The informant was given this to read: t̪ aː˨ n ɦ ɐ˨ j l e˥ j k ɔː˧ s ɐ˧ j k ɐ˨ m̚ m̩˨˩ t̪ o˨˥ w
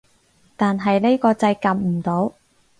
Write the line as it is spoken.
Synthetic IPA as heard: t̪ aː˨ n ɦ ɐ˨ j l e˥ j k ɔː˧ t͡s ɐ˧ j k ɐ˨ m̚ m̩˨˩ t̪ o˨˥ w